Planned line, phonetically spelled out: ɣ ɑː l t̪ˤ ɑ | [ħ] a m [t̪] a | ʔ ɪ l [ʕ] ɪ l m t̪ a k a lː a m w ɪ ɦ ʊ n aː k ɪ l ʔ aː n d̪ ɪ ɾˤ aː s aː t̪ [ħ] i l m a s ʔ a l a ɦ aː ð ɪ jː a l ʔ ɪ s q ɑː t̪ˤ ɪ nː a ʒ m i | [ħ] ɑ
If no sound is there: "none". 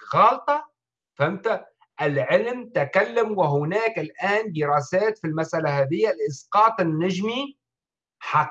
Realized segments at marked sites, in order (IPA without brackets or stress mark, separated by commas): f, t̪, ʕ, f, ħ